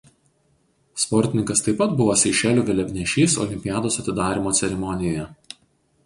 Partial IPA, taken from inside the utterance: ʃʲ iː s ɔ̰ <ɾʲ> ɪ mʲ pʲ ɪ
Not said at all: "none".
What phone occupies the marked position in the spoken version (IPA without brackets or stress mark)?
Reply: lʲ